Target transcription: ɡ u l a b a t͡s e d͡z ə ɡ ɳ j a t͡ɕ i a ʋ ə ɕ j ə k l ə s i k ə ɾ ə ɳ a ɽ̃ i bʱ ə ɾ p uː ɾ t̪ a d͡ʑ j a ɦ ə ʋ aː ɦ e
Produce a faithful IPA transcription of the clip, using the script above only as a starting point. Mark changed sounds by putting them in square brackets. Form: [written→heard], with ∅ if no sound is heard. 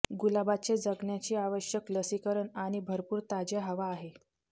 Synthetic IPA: ɡ u l a b a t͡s e d͡z ə ɡ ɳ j a t͡ɕ [i→iː] a ʋ ə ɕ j ə k l ə s i k ə ɾ ə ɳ a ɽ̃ i bʱ ə ɾ p uː ɾ t̪ a d͡ʑ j a ɦ ə ʋ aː ɦ e